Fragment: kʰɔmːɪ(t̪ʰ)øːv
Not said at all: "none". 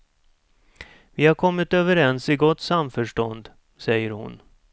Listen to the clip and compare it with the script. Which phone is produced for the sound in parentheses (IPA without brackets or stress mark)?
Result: t̪